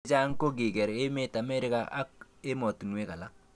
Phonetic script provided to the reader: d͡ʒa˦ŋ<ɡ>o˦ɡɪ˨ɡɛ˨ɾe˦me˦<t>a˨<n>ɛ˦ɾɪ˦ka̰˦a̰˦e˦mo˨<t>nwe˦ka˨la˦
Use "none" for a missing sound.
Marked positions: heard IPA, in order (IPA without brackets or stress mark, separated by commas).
k, t, m, t